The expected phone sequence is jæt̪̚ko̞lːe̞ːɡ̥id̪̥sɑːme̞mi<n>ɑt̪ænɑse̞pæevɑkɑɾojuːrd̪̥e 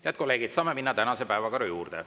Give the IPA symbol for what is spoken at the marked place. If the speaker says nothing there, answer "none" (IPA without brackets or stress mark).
nː